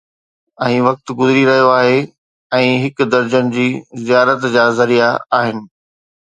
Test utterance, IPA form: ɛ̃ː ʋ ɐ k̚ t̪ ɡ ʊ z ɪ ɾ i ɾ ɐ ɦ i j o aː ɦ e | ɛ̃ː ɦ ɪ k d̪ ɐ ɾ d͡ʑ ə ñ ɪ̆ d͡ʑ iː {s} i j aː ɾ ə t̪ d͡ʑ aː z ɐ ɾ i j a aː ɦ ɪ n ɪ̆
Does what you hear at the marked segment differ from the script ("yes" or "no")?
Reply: yes